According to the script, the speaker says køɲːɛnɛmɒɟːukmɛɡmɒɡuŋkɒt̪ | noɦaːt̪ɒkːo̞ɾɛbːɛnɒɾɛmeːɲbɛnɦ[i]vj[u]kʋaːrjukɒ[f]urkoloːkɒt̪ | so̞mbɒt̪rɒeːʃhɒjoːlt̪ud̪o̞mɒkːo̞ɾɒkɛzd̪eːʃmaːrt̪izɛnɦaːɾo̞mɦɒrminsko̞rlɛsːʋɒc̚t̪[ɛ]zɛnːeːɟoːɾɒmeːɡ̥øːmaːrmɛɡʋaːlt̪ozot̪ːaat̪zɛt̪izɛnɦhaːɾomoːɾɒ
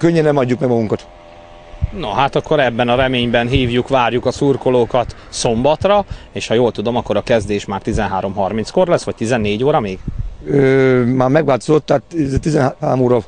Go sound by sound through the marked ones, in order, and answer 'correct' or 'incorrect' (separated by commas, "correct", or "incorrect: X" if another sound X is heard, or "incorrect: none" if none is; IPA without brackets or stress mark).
incorrect: iː, correct, incorrect: s, incorrect: i